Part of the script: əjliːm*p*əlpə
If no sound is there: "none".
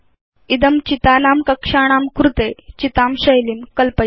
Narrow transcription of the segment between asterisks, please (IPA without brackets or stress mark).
k